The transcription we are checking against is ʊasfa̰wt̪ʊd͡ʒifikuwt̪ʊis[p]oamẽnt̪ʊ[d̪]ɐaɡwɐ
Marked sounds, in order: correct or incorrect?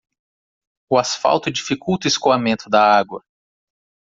incorrect: k, correct

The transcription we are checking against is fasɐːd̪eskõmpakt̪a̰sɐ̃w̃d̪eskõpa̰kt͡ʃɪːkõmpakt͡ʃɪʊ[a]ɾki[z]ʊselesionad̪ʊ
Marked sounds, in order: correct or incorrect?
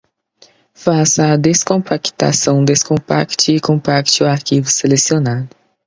correct, incorrect: v

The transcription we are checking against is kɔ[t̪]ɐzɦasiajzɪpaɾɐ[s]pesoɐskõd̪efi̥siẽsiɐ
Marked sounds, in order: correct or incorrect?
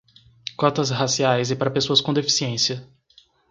correct, incorrect: none

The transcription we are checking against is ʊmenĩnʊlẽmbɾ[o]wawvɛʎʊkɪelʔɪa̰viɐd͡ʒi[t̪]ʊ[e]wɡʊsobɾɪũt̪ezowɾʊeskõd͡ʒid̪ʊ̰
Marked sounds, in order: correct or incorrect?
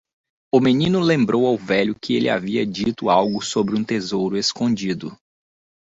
correct, correct, incorrect: a

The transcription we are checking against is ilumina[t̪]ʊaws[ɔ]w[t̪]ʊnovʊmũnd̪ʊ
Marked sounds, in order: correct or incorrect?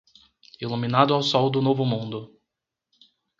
incorrect: d̪, correct, incorrect: d̪

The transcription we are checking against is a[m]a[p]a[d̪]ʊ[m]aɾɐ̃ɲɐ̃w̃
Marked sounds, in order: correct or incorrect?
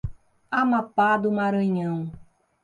correct, correct, correct, correct

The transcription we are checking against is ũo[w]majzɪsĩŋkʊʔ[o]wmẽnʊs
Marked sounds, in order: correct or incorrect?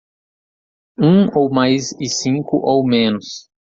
correct, correct

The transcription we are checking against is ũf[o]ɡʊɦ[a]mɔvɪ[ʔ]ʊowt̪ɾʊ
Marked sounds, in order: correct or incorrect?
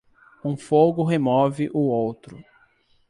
correct, incorrect: e, correct

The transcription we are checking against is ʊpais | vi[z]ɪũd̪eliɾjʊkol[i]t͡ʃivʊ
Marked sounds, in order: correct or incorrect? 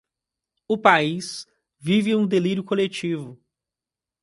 incorrect: v, incorrect: e

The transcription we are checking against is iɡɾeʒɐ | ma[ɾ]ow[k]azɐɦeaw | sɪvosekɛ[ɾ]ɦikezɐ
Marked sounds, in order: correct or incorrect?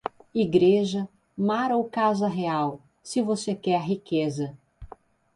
correct, correct, correct

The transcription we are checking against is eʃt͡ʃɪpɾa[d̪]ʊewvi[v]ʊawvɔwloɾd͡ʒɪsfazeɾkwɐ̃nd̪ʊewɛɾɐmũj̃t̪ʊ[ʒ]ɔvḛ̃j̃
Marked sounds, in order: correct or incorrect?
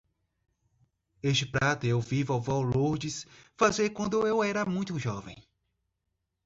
incorrect: t̪, correct, correct

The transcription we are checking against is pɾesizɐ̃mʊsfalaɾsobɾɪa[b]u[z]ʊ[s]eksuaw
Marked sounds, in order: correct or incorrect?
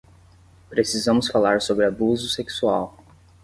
correct, correct, correct

